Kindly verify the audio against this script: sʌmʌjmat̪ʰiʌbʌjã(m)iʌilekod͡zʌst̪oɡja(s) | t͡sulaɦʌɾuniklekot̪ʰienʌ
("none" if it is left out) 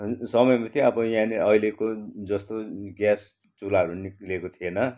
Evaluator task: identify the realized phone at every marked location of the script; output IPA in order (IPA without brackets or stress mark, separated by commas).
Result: n, s